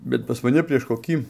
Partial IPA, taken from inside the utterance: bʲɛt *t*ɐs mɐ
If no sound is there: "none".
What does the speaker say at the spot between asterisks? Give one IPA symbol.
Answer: p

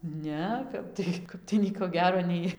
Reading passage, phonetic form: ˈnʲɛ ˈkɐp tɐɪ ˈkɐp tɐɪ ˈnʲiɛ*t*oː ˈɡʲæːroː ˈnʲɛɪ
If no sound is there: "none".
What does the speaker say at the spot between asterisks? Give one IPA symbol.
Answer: k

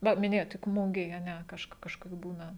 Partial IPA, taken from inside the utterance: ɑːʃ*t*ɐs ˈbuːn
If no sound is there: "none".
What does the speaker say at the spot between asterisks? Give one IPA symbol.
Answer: k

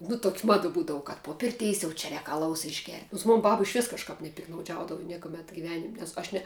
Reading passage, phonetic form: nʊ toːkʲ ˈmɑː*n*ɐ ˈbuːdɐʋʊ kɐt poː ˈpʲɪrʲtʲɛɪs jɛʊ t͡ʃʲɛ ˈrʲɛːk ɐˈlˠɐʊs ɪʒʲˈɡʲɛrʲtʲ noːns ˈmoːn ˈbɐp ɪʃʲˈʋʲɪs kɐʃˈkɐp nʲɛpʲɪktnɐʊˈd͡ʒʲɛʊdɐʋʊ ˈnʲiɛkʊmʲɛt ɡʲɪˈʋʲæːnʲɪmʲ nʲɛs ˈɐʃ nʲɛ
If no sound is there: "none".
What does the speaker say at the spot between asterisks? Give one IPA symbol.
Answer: d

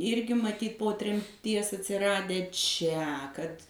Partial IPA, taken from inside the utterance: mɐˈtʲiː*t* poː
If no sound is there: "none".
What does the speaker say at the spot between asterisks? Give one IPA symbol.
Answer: t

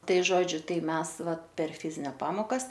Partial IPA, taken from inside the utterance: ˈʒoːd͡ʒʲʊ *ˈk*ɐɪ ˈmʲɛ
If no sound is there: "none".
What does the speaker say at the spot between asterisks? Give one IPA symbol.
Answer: t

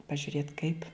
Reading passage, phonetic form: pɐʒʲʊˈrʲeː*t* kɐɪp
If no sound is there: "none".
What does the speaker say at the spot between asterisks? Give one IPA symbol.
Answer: t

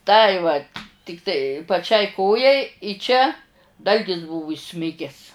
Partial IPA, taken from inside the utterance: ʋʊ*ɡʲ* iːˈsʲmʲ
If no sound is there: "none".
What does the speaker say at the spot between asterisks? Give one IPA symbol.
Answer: none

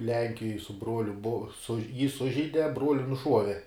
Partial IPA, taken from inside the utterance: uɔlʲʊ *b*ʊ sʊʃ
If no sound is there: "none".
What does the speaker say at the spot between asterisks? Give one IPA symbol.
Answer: b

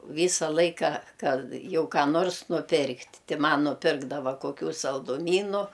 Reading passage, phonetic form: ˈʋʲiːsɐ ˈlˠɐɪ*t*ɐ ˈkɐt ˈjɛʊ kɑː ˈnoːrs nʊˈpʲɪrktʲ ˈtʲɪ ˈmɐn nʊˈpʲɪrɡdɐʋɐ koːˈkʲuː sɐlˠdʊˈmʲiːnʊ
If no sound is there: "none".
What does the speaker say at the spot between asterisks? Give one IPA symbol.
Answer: k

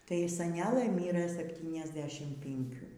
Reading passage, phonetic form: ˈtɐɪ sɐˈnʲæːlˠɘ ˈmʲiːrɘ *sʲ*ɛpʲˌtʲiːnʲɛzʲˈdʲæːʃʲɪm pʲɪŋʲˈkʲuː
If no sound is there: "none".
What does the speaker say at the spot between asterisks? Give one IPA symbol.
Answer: sʲ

